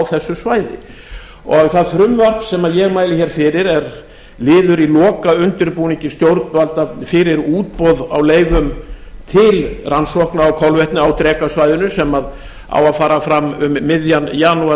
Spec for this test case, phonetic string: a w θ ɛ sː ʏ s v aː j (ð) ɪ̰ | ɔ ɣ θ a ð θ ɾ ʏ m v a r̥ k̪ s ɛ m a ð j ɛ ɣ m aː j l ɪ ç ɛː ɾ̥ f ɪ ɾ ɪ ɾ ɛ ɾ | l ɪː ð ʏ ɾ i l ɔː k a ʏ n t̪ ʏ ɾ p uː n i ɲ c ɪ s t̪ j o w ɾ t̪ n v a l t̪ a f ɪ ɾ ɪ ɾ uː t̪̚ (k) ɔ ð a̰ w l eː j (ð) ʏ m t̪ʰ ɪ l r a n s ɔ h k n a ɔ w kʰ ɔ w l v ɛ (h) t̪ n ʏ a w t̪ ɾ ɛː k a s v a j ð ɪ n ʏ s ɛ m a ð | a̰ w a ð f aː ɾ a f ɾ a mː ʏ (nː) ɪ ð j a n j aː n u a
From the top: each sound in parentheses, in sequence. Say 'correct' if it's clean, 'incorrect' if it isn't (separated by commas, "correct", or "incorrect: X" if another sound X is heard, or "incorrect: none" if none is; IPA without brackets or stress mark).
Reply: correct, incorrect: p, incorrect: v, correct, incorrect: mː